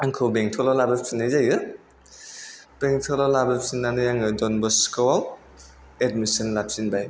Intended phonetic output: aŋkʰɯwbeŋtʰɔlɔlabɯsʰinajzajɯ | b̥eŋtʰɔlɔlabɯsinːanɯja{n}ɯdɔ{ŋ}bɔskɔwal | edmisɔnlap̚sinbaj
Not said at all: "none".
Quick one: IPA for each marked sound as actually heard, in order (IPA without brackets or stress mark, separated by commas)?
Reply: ŋ, n